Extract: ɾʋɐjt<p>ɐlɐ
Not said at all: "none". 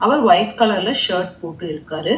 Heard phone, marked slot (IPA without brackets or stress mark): k